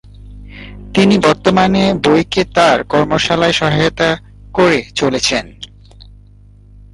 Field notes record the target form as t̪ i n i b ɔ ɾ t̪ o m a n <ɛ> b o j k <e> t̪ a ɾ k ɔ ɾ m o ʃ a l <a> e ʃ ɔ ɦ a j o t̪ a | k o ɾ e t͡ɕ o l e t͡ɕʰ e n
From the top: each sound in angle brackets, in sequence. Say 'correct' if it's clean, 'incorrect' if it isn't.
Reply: incorrect: e, correct, correct

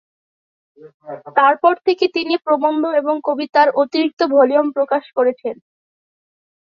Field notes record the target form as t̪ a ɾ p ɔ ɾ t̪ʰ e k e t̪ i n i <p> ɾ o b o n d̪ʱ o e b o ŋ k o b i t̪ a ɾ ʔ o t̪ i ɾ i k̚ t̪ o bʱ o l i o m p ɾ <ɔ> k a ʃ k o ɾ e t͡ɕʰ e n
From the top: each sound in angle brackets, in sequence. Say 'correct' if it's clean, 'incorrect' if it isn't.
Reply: correct, incorrect: o

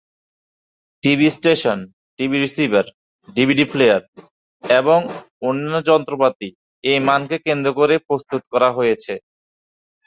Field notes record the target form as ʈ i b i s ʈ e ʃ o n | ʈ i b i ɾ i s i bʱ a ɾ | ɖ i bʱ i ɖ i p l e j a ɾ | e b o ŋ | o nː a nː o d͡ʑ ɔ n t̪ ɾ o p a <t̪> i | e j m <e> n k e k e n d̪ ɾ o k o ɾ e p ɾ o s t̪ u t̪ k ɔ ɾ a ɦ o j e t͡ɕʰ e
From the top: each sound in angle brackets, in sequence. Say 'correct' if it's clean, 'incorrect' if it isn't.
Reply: correct, incorrect: a

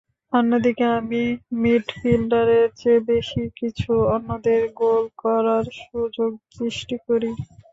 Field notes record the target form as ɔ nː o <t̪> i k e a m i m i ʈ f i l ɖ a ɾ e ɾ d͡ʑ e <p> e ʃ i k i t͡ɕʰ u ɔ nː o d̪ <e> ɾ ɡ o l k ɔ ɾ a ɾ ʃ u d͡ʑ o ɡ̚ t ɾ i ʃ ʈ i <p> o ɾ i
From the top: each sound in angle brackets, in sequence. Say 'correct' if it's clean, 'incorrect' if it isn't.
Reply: incorrect: d̪, incorrect: b, correct, incorrect: k

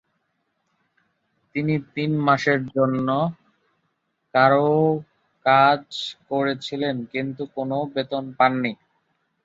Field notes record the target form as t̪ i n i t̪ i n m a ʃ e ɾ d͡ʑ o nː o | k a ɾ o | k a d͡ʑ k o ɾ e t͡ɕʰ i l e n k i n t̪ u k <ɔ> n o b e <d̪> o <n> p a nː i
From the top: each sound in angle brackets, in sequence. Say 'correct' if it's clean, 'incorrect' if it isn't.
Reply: incorrect: o, incorrect: t̪, correct

